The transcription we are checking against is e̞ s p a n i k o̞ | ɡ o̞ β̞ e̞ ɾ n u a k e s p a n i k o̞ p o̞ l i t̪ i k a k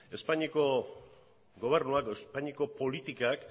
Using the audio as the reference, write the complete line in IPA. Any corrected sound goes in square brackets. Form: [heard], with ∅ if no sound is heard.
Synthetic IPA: e̞ s p a [ɲ] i k o̞ | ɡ o̞ β̞ e̞ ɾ n u a k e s p a [ɲ] i k o̞ p o̞ l i t̪ i k a k

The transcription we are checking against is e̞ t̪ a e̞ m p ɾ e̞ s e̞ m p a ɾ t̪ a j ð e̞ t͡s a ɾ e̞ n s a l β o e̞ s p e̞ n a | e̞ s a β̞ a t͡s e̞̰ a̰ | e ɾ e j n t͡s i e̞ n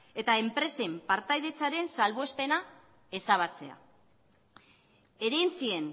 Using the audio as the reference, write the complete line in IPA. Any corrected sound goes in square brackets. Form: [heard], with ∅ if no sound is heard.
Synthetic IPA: e̞ t̪ a e̞ m p ɾ e̞ s e̞ m p a ɾ t̪ a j ð e̞ t͡s a ɾ e̞ n s a l β o e̞ s p e̞ n a | e̞ s a β̞ a t͡s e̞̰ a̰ | e ɾ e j n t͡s i e̞ n

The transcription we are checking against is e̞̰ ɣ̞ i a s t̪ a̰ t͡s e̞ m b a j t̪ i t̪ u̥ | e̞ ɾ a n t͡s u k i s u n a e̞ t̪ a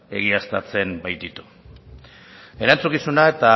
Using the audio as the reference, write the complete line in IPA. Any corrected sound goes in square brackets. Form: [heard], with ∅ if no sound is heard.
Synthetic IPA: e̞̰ ɣ̞ i a s t̪ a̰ t͡s e̞ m b a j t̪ i t̪ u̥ | e̞ ɾ a n t͡s u k i s u n a e̞ t̪ a

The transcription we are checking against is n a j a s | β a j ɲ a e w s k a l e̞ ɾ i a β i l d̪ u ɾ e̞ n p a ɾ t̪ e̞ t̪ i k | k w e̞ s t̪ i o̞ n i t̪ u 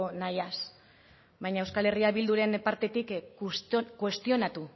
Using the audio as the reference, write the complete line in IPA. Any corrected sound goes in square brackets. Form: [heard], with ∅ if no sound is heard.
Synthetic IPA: n a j a s | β a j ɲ a e w s k a l e̞ [r] i a β i l d̪ u ɾ e̞ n p a ɾ t̪ e̞ t̪ i k | k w e̞ s t̪ i o̞ n [a] t̪ u

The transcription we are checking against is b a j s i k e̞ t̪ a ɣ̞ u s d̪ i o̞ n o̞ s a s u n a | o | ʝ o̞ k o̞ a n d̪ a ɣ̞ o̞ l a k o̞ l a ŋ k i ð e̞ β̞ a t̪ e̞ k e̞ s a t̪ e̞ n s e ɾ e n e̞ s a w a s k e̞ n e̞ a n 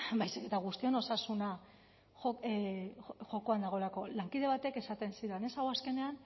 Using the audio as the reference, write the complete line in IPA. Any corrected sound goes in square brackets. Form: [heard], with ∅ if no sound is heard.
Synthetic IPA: b a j s i k e̞ t̪ a ɣ̞ u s [t̪] i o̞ n o̞ s a s u n a | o | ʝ o̞ k o̞ a n d̪ a ɣ̞ o̞ l a k o̞ l a ŋ k i ð e̞ β̞ a t̪ e̞ k e̞ s a t̪ e̞ n s [i] ɾ e n e̞ s a w a s k e̞ n e̞ a n

